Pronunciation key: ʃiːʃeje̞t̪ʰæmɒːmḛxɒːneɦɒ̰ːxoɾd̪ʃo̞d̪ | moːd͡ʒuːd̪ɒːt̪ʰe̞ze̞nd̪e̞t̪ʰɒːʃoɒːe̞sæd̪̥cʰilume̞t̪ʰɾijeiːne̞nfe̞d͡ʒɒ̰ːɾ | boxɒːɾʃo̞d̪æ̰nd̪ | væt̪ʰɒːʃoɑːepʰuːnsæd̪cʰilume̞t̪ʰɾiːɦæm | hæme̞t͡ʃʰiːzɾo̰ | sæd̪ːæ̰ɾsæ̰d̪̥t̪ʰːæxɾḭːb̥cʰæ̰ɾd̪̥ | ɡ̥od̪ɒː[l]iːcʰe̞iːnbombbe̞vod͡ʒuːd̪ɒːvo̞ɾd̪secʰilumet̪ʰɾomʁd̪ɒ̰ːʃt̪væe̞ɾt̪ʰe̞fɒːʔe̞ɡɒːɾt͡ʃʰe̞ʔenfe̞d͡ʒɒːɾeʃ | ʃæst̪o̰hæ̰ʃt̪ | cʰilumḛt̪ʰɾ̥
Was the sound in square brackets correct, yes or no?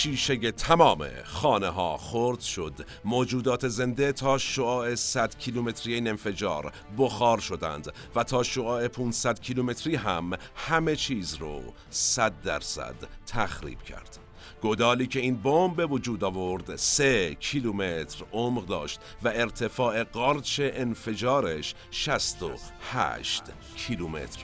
yes